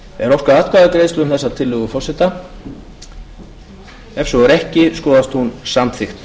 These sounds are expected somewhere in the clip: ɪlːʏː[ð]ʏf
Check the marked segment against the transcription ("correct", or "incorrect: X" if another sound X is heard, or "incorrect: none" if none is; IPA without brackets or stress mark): incorrect: ɣ